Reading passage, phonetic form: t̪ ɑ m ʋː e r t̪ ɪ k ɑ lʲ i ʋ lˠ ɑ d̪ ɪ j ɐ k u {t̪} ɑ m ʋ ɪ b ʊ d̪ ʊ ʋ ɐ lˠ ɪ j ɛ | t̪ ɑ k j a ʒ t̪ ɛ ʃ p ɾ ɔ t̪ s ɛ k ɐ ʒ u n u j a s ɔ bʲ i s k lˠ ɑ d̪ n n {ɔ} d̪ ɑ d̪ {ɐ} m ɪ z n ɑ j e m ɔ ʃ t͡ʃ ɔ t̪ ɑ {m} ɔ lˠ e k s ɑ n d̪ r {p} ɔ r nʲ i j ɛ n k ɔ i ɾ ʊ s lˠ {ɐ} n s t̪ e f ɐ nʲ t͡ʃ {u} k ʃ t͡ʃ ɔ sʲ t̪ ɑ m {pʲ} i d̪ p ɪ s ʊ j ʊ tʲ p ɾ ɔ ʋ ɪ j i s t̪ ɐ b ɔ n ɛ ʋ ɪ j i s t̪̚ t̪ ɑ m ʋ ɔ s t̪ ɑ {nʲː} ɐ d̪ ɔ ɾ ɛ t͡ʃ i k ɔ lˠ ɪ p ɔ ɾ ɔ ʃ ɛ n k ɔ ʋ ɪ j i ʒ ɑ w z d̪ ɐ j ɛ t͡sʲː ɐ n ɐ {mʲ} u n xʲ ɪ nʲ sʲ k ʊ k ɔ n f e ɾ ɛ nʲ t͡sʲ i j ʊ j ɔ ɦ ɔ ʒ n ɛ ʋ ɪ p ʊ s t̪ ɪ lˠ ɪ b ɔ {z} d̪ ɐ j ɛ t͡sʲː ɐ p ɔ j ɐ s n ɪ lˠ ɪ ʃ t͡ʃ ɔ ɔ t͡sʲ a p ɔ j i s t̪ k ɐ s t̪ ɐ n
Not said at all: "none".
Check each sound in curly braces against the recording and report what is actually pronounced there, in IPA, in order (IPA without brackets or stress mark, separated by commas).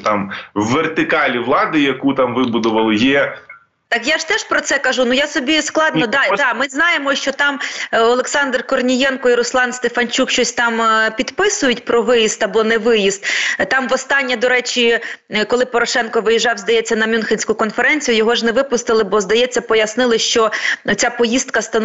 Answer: t̪, ɔ, ɑ, m, k, ɑ, u, pʲ, nʲː, mʲ, z